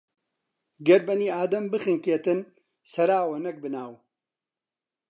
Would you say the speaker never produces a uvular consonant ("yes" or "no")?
yes